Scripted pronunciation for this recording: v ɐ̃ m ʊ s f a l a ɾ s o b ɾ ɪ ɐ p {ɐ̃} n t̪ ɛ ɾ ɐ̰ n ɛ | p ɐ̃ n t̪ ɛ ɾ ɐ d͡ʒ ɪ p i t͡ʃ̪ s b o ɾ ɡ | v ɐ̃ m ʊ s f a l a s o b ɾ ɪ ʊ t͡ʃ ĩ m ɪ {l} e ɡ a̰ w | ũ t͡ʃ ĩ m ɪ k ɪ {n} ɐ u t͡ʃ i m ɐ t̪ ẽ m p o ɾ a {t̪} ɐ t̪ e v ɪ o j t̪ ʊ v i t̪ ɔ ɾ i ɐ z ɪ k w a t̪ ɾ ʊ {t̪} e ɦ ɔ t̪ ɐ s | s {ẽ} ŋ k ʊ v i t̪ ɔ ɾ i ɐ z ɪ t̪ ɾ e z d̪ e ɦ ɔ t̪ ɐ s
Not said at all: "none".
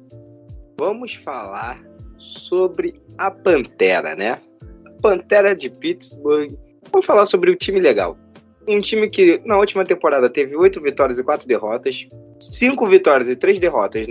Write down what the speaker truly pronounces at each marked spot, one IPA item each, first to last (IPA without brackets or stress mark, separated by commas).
ɐ̃, l, n, d̪, d̪, ĩ